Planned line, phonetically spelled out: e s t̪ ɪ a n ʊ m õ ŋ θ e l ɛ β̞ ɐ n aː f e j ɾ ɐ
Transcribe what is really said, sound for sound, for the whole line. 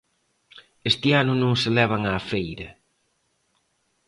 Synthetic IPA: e s t̪ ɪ a n ʊ n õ ŋ s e l ɛ β̞ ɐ ŋ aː f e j ɾ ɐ